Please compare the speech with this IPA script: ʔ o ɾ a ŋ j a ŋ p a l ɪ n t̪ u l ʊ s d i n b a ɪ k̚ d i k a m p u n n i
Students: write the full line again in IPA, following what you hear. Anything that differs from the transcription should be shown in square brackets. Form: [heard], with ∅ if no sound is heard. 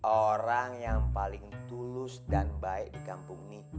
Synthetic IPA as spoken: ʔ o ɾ a ŋ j a ŋ p a l ɪ [ŋ] t̪ u l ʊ s d [a] n b a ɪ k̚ d i k a m p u [ŋ] n i